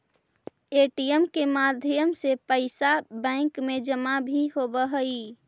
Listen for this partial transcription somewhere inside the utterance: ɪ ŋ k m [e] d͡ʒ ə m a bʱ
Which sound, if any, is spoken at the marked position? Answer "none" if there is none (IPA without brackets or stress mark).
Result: e